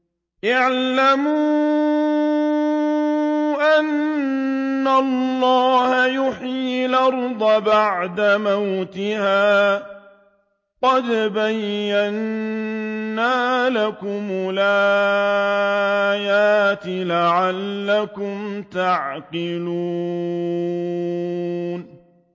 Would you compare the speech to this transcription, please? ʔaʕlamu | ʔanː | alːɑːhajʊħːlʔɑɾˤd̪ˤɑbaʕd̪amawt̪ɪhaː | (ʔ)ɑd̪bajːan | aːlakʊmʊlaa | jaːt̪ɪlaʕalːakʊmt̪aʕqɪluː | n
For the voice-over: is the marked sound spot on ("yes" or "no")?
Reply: no